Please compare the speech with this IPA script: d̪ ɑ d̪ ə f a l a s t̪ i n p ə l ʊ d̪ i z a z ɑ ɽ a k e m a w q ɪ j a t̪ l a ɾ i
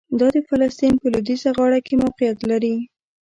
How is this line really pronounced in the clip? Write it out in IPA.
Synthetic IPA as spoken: d̪ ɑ d̪ ə f a l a s t̪ i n p ə l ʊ d̪ i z a ɣ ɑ ɽ a k e m a w q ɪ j a t̪ l a ɾ i